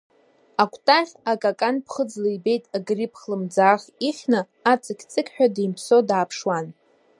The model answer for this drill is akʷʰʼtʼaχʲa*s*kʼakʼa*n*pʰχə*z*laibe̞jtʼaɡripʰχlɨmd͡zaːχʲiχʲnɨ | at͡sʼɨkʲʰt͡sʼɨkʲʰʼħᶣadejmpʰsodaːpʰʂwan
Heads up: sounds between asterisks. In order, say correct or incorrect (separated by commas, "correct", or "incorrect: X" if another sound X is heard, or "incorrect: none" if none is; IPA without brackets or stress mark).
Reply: incorrect: none, correct, incorrect: d͡z